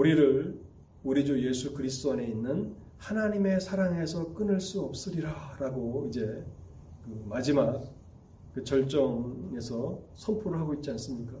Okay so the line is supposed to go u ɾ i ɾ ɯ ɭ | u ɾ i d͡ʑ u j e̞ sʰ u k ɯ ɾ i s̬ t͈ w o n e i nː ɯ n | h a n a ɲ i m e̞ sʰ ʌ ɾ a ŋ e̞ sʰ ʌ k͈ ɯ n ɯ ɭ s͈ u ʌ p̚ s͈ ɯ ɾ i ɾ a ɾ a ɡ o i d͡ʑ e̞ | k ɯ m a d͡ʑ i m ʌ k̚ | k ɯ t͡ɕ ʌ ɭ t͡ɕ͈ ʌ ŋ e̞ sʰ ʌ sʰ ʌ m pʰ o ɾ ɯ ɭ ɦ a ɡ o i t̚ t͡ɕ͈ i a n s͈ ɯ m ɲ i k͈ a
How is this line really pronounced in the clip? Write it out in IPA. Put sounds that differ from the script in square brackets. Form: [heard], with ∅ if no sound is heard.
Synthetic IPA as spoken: u ɾ i ɾ ɯ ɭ | u ɾ i d͡ʑ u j e̞ sʰ u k ɯ ɾ i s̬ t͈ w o n e i nː ɯ n | h a n a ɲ i m e̞ sʰ [a] ɾ a ŋ e̞ sʰ ʌ k͈ ɯ n ɯ ɭ s͈ u ʌ p̚ s͈ ɯ ɾ i ɾ a ɾ a ɡ o i d͡ʑ e̞ | k ɯ m a d͡ʑ i m [a] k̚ | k ɯ t͡ɕ ʌ ɭ t͡ɕ͈ ʌ ŋ e̞ sʰ ʌ sʰ ʌ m pʰ o ɾ ɯ ɭ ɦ a ɡ o i t̚ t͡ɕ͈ i a n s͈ ɯ m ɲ i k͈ a